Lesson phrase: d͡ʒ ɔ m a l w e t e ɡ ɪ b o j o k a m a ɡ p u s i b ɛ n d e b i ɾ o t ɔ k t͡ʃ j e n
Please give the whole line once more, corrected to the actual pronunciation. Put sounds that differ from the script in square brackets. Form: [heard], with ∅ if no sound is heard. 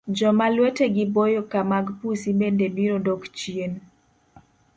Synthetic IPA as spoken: d͡ʒ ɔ m a l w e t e ɡ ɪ b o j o k a m a ɡ p u s i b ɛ n d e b i ɾ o [d] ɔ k t͡ʃ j e n